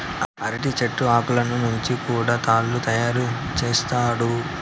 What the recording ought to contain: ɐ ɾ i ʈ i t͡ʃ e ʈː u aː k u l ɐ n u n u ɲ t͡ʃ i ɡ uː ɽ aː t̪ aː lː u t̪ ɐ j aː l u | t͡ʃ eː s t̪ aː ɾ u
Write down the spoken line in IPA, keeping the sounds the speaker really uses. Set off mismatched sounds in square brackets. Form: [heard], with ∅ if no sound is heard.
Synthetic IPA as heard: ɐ ɾ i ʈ i t͡ʃ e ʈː u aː k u l ɐ n u n u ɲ t͡ʃ i [k] uː ɽ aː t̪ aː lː u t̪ ɐ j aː [ɾ] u | t͡ʃ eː s t̪ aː [ɽ] u